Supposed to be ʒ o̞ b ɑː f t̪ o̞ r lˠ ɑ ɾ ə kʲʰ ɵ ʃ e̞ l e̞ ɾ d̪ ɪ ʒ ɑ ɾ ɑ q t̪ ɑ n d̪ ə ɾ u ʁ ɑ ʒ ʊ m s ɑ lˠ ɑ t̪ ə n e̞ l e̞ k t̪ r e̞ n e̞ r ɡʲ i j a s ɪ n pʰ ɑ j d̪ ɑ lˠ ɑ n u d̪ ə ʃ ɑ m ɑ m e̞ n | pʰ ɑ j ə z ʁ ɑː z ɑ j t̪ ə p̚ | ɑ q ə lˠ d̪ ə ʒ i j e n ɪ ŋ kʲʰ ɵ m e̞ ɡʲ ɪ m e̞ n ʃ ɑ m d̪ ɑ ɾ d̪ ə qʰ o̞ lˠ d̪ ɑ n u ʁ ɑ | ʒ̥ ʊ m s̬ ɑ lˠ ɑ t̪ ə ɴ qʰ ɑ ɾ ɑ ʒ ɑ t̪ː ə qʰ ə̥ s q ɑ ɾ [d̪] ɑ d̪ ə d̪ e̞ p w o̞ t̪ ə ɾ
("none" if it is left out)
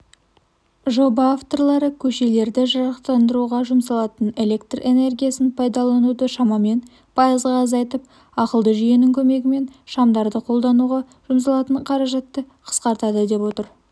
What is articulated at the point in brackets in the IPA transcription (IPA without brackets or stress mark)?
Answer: t̪